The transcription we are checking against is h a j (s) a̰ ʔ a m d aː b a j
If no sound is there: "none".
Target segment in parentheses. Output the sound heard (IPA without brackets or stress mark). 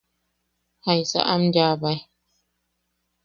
s